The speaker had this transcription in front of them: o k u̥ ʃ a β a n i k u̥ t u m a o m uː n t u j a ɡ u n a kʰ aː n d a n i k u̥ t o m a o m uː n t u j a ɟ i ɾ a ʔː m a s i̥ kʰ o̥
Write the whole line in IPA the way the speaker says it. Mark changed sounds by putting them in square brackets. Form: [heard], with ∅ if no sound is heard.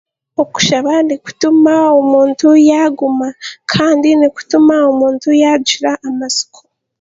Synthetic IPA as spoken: o k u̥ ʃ a β a n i k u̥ t u m a o m uː n t u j a ɡ u [m] a kʰ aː n d [i] n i k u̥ t [u] m a o m uː n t u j a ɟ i ɾ a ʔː m a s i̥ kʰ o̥